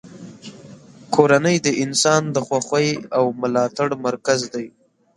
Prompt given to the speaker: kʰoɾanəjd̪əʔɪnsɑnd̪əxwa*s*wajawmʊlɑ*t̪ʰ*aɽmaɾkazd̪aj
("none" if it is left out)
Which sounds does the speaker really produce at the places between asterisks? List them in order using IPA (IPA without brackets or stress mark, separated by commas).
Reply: x, t̪